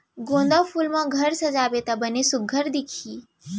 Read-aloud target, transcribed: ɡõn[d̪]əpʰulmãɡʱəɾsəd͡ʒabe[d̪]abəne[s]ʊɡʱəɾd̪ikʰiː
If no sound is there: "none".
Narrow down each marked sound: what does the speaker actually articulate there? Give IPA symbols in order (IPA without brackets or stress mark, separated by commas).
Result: d̪, t̪, s